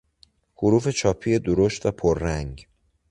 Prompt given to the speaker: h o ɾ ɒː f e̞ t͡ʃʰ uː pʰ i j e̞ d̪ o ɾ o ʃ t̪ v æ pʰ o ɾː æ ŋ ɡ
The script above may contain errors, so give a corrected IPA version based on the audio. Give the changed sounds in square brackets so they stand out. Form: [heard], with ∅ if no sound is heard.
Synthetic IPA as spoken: h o ɾ [uː] f e̞ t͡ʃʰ [ɒː] pʰ i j e̞ d̪ o ɾ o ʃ t̪ v æ pʰ o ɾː æ ŋ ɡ